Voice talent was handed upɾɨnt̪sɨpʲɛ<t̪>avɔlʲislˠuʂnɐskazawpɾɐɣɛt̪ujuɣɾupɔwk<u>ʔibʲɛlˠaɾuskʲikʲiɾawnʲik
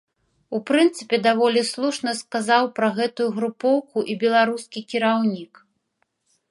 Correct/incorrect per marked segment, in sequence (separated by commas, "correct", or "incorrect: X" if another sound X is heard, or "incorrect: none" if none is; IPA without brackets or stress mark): incorrect: d̪, correct